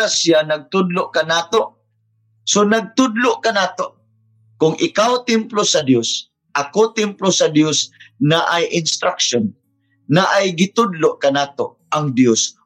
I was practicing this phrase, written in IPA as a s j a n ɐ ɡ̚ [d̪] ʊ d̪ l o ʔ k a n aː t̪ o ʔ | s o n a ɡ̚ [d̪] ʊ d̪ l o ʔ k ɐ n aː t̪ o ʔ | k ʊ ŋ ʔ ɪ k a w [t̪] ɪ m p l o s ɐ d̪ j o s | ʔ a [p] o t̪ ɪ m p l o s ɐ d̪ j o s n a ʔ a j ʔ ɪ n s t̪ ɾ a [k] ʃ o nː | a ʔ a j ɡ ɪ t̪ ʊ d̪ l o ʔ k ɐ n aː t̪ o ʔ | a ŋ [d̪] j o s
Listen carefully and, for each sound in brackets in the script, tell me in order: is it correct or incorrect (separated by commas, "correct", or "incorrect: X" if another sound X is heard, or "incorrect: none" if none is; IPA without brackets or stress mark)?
incorrect: t̪, incorrect: t̪, correct, incorrect: k, correct, correct